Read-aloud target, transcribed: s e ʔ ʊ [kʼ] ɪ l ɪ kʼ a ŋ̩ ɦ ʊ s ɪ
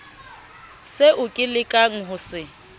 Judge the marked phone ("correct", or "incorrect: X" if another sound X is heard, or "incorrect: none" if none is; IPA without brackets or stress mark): correct